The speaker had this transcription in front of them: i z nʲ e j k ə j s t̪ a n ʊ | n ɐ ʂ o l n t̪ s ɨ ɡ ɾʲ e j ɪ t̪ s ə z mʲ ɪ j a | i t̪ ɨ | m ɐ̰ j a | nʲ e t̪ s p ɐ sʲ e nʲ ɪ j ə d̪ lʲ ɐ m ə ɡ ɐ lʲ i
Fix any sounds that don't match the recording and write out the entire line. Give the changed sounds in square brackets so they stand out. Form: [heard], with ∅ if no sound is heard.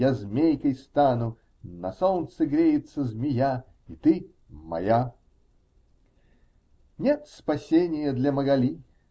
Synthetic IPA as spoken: [a] z [mʲ] e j k ə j s t̪ a n ʊ | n ɐ [s] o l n t̪ s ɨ ɡ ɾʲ e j ɪ t̪ s ə z mʲ ɪ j a | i t̪ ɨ | m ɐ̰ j a | nʲ e t̪ s p ɐ sʲ e nʲ ɪ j ə d̪ lʲ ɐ m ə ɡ ɐ lʲ i